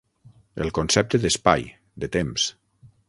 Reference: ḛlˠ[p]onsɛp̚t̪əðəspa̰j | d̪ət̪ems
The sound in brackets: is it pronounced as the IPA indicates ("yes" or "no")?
no